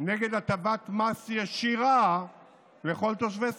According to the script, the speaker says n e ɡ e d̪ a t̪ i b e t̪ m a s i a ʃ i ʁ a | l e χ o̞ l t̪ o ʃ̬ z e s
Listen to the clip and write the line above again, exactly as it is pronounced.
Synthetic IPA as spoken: n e ɡ e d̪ a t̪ a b a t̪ m a s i a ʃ i ʁ a | l e χ o̞ l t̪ o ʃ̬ v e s